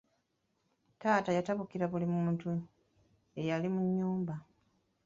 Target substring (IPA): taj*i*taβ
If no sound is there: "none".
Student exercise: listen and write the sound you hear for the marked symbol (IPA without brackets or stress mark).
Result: a